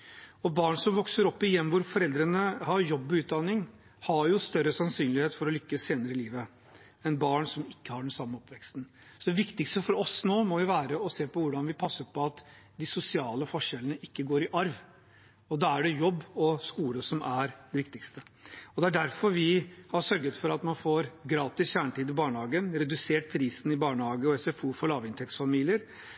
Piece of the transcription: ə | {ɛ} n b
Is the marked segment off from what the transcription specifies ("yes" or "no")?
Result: no